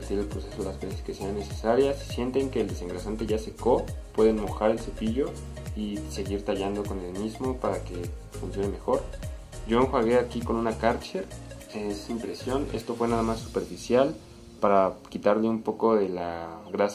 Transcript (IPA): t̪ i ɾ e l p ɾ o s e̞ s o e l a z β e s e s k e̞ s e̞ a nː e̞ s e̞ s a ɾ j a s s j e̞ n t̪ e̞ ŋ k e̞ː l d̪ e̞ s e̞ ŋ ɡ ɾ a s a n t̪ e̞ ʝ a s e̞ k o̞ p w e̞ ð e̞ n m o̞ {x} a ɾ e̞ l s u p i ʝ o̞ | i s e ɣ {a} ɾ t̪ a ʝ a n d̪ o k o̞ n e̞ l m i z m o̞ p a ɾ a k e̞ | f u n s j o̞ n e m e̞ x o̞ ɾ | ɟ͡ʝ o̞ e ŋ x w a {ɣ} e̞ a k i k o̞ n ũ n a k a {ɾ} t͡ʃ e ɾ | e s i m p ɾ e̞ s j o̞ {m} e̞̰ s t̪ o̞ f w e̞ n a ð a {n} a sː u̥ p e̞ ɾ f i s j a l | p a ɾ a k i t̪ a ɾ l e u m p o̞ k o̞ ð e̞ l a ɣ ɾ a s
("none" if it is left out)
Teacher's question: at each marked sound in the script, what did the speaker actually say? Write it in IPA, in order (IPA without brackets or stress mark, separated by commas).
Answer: x, i, ɣ, ɾ, n, m